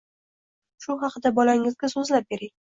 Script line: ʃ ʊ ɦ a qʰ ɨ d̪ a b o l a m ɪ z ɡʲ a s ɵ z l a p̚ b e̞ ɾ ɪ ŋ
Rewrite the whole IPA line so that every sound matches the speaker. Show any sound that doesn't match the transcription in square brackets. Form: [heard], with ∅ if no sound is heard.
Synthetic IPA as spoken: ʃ ʊ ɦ [ɑ] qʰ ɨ d̪ a b [ɒ] l a [ŋ] ɪ z ɡʲ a s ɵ z l a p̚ b e̞ ɾ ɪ ŋ